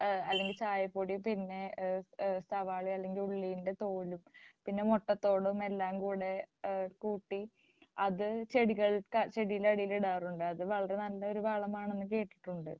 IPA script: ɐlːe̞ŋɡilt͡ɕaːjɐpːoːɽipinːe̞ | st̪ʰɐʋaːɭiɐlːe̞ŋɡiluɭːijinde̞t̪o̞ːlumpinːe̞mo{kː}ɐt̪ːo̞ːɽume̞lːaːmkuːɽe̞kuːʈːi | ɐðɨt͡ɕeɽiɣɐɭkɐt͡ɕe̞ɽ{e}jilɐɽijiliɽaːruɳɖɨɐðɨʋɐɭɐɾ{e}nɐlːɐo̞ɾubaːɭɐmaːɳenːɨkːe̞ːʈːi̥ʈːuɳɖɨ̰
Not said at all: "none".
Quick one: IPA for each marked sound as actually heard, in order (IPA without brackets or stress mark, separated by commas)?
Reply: ʈː, i, e